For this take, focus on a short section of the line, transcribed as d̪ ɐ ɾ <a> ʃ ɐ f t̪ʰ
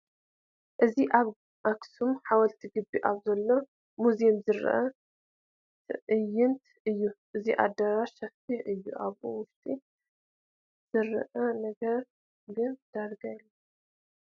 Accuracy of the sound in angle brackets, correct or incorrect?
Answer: correct